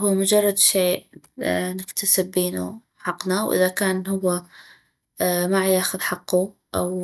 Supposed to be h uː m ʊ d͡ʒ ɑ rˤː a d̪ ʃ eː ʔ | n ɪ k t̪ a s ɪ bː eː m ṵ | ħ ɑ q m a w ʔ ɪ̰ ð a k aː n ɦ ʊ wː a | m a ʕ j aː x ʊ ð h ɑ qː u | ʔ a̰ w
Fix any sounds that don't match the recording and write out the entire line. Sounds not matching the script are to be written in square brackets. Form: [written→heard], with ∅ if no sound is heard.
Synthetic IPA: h uː m ʊ d͡ʒ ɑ rˤː [a→ɑ] d̪ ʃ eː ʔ | n ɪ k t̪ a s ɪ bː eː [m→n] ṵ | ħ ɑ q [m→n] a w ʔ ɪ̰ ð a k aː n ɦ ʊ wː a | m a ʕ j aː x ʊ ð [h→ħ] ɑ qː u | ʔ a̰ w